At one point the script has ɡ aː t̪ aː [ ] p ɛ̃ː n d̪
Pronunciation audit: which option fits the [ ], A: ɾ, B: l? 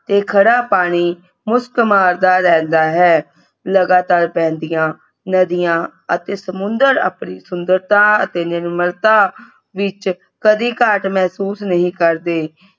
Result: A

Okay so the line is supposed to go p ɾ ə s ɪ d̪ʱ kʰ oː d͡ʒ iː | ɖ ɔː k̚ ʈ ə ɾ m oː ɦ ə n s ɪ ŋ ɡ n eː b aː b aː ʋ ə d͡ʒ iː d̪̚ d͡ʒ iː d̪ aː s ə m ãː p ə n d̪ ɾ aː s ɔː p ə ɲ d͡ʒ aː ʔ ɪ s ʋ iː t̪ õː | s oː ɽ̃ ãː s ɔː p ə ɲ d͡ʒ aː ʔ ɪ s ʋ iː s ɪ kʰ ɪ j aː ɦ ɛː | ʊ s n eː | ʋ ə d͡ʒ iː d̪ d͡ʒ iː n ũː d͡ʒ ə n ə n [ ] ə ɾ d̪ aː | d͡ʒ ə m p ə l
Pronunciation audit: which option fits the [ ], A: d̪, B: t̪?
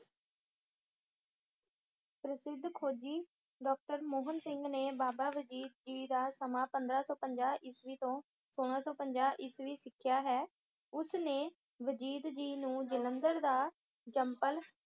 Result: A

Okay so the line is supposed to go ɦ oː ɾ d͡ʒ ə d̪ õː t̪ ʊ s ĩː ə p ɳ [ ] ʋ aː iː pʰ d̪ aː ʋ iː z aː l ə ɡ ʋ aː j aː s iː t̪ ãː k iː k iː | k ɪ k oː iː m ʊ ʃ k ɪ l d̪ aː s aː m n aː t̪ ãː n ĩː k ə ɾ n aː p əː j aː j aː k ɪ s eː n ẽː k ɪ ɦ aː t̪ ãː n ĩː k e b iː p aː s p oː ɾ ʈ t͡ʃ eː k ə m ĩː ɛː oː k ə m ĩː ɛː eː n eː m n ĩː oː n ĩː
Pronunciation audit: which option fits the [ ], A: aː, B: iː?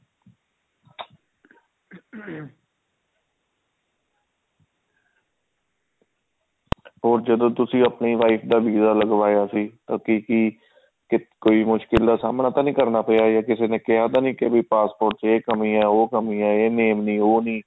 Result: B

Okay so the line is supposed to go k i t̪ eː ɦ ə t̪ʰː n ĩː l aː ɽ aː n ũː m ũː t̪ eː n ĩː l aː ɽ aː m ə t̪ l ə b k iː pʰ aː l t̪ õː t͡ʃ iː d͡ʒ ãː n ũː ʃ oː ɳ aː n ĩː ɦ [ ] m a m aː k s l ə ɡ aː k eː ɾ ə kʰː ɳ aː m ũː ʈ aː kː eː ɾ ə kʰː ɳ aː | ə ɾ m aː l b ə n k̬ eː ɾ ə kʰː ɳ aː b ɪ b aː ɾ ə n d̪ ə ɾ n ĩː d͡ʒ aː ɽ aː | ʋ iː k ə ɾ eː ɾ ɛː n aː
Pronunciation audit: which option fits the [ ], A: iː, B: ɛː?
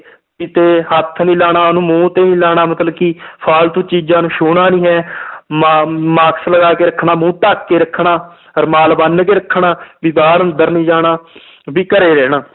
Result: B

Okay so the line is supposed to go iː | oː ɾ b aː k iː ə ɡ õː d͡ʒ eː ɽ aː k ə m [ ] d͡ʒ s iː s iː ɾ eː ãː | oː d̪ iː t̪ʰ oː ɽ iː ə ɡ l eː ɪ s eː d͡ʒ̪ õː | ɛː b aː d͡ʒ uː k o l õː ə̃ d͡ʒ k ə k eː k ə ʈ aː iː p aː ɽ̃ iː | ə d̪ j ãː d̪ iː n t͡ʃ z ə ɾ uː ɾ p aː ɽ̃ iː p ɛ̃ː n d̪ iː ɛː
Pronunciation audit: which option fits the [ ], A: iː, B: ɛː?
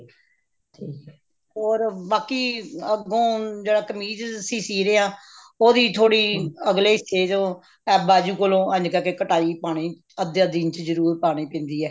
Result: A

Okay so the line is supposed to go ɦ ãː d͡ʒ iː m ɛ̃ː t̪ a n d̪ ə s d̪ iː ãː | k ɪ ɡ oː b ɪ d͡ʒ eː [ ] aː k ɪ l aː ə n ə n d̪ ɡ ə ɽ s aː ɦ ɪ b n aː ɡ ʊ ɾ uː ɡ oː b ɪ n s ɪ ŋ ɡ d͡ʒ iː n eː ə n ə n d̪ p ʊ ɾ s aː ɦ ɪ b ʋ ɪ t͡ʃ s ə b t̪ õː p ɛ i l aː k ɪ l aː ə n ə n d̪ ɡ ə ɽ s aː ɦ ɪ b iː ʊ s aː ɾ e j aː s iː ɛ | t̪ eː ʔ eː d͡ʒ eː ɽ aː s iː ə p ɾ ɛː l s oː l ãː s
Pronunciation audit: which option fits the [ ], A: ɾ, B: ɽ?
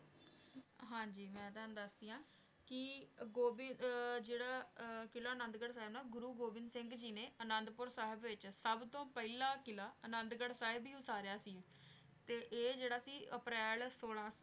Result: B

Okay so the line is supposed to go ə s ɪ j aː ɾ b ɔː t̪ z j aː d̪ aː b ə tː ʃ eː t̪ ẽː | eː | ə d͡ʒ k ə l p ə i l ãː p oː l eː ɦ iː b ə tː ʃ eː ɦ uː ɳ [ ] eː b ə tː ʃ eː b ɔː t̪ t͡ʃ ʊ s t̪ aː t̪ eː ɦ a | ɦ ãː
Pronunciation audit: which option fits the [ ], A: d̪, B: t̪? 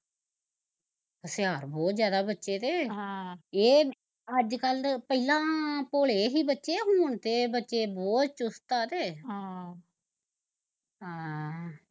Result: B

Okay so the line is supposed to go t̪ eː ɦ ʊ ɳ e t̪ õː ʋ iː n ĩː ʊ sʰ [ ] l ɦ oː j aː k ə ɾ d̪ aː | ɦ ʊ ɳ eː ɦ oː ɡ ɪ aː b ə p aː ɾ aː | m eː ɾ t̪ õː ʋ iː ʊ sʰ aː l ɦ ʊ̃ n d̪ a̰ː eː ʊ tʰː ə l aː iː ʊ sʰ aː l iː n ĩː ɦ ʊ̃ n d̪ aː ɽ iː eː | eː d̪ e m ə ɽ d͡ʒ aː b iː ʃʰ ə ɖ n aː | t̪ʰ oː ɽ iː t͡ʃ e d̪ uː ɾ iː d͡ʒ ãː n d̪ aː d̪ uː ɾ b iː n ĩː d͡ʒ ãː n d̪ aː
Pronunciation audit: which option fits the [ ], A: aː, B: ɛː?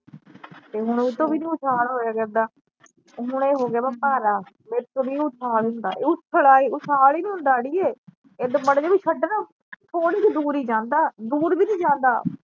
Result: A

